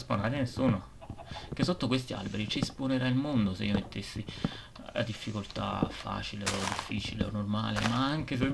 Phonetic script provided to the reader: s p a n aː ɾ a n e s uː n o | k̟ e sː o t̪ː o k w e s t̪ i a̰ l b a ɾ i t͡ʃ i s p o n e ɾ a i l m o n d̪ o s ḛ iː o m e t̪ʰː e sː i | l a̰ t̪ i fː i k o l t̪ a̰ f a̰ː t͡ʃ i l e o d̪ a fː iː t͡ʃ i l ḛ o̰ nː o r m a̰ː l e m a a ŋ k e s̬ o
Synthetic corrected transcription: s p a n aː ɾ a n e s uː n o | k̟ e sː o t̪ː o k w e s t̪ i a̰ l b e ɾ i t͡ʃ i s p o n e ɾ a i l m o n d̪ o s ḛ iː o m e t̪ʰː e sː i | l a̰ d̪ i fː i k o l t̪ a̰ f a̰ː t͡ʃ i l e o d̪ i fː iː t͡ʃ i l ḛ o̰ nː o r m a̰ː l e m a a ŋ k e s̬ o